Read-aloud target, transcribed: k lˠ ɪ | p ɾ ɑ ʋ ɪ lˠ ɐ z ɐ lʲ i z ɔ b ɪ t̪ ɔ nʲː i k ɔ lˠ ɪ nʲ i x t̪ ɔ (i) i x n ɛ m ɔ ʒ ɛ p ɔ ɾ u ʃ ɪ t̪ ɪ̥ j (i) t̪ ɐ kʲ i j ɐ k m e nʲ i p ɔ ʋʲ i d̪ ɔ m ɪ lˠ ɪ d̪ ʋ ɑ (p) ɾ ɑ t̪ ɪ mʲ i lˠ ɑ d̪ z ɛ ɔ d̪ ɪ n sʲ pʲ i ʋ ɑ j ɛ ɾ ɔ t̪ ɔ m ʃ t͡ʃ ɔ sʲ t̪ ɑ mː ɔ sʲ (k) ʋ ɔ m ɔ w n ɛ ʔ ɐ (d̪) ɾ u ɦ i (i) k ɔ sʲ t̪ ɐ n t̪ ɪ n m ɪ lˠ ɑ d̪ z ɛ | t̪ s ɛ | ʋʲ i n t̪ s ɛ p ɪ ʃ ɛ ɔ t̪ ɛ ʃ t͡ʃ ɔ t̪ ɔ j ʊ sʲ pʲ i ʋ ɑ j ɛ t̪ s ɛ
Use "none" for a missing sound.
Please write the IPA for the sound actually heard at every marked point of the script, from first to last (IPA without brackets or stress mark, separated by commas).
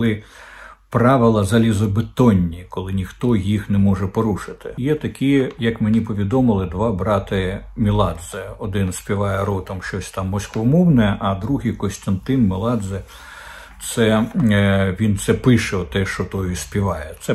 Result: j, ɛ, b, k, d̪, j